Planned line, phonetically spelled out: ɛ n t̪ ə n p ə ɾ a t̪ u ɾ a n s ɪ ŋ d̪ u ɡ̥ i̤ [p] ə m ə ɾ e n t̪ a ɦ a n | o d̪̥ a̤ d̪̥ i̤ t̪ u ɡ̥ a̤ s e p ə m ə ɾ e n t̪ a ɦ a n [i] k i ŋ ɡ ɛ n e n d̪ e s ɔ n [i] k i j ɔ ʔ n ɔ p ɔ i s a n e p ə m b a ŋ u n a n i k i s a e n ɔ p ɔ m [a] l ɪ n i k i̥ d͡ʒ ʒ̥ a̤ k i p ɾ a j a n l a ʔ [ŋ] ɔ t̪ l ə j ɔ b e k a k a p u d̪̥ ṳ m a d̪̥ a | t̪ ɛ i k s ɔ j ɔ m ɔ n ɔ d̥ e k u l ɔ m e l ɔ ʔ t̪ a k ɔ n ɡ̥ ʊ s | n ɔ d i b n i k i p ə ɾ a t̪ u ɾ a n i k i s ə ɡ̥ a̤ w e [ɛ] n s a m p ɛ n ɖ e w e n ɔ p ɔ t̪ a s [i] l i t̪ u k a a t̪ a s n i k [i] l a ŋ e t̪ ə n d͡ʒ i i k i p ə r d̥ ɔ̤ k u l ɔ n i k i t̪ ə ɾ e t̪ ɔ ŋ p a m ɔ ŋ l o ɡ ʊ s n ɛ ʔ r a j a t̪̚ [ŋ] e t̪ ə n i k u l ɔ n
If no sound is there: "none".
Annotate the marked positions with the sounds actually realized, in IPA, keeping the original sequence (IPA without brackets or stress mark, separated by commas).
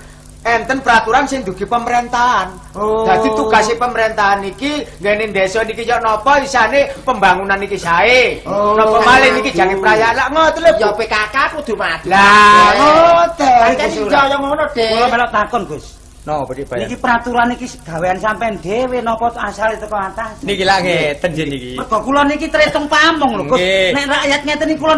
p, i, i, a, ŋ, a, a, i, ŋ